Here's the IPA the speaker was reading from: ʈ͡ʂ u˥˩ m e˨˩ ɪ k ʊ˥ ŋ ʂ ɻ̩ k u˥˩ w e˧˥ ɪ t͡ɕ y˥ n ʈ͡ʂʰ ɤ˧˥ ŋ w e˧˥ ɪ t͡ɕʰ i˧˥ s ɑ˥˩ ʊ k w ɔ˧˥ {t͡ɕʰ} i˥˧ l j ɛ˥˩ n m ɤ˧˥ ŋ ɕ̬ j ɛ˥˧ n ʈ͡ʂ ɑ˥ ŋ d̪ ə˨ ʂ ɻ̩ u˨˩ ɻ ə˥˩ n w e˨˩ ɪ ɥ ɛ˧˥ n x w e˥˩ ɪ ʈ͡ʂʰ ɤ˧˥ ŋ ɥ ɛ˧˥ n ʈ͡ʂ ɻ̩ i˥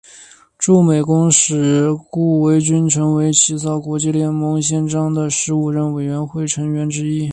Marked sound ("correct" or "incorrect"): incorrect